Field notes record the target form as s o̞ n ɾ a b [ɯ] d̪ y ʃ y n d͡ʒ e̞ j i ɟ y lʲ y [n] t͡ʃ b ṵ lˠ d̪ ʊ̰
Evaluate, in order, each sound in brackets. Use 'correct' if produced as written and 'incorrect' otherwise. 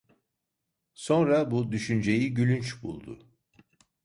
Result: incorrect, correct

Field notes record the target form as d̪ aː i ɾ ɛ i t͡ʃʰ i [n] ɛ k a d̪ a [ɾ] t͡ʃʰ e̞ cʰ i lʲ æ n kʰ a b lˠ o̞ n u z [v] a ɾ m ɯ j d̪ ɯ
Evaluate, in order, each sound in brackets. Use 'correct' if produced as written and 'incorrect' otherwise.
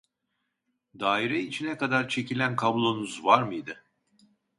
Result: correct, correct, correct

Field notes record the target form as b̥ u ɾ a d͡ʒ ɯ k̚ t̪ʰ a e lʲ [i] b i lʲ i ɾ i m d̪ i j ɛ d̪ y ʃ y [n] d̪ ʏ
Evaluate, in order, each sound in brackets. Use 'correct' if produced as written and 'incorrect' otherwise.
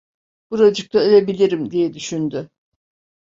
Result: incorrect, correct

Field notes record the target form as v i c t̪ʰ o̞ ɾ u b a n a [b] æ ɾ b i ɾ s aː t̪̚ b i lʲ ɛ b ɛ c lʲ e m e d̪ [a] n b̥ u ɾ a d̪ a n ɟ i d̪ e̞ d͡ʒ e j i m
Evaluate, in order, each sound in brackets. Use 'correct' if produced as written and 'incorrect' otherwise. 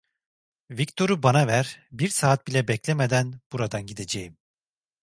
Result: incorrect, incorrect

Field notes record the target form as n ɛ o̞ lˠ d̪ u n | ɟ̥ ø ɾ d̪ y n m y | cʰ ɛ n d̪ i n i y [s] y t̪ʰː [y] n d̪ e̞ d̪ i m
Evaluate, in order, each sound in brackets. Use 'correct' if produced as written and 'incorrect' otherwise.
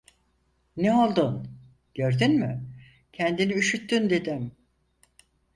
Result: incorrect, correct

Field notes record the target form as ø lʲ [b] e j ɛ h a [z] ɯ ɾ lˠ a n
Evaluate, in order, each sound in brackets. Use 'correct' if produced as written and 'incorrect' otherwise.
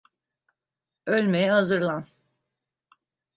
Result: incorrect, correct

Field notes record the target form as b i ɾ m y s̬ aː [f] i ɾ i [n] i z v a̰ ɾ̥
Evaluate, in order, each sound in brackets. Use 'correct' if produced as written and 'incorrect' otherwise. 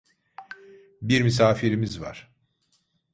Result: correct, incorrect

